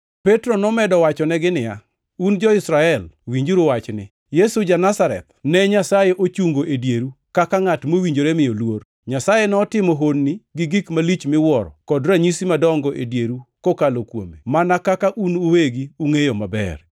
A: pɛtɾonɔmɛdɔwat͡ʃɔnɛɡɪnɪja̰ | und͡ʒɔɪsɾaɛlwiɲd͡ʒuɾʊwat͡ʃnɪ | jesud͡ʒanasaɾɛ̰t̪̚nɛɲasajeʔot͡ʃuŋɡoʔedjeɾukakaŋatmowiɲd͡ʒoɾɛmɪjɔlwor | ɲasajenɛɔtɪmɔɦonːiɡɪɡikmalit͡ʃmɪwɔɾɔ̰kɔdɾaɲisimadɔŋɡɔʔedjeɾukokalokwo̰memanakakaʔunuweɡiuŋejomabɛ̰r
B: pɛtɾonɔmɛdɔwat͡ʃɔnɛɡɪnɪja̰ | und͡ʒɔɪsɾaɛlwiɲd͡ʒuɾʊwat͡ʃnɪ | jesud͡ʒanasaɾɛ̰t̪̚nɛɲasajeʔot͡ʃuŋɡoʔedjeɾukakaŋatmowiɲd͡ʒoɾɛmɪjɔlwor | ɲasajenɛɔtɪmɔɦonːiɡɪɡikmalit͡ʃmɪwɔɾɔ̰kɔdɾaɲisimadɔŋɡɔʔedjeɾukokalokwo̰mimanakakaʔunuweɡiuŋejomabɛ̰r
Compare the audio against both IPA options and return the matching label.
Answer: A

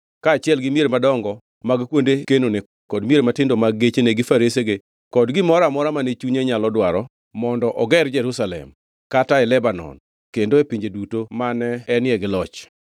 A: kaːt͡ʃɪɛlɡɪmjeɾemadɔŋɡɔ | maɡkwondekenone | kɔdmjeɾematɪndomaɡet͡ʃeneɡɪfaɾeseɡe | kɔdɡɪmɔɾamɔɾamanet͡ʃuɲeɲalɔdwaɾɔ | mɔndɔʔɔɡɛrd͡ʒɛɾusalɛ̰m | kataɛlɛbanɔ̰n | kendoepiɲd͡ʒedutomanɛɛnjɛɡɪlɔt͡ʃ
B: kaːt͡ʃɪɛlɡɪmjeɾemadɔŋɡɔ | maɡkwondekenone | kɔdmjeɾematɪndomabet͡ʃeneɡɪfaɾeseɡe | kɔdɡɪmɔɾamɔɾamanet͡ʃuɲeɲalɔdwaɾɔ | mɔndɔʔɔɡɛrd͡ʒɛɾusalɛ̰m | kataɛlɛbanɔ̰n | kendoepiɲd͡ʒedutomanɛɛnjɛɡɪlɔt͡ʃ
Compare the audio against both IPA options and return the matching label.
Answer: A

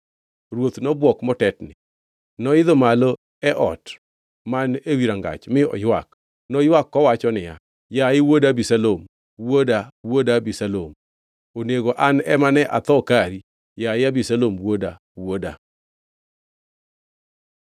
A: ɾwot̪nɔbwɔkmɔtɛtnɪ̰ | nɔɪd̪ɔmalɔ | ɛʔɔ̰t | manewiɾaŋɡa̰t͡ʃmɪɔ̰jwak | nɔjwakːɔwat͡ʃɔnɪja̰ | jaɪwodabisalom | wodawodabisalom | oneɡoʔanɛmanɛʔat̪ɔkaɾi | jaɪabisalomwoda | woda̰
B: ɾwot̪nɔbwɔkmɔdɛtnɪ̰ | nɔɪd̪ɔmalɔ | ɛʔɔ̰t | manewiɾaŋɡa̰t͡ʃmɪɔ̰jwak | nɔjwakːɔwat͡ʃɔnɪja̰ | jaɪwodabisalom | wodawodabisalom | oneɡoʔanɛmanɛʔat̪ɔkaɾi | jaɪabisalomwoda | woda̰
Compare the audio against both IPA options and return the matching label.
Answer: A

